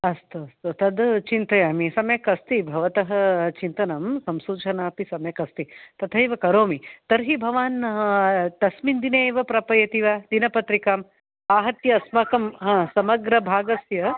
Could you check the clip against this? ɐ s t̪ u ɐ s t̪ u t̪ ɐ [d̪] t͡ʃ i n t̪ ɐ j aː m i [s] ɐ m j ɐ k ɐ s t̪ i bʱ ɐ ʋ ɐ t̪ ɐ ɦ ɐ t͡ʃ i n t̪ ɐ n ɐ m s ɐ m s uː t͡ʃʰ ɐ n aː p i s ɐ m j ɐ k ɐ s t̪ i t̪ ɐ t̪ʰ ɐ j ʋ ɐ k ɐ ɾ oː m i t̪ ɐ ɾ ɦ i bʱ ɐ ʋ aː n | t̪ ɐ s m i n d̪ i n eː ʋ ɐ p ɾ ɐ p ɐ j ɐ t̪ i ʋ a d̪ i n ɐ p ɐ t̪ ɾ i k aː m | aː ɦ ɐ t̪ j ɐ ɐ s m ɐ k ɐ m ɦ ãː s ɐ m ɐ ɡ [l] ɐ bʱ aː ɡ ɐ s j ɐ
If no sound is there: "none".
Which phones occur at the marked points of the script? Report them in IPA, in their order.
d̪, s, ɾ

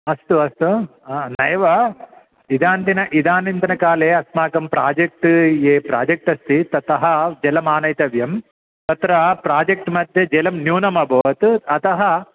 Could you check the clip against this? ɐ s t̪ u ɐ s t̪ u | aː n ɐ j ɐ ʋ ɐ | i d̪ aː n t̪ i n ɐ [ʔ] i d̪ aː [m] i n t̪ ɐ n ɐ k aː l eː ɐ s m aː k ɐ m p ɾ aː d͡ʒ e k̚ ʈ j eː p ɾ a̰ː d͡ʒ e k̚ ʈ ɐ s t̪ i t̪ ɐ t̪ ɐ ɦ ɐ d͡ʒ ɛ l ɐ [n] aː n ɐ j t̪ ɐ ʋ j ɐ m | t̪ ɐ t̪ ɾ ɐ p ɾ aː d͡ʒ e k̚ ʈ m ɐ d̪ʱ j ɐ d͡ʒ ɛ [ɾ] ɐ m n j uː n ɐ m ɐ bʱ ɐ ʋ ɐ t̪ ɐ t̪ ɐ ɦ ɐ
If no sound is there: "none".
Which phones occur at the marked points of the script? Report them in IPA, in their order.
ʔ, n, m, l

